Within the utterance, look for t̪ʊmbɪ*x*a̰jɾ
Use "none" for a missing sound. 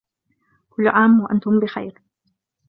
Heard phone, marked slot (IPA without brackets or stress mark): x